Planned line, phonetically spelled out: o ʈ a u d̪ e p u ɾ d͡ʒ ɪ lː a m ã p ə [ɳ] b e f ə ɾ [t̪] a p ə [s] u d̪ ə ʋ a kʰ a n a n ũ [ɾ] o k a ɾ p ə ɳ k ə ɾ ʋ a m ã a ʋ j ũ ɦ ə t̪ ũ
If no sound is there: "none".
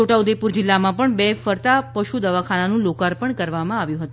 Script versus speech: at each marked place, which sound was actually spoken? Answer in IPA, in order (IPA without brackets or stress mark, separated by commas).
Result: ɳ, t̪, ʃ, l